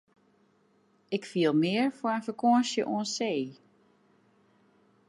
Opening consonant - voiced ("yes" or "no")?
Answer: no